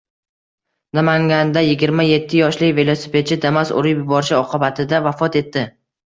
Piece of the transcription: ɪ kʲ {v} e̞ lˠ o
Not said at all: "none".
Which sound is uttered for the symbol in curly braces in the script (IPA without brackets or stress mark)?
v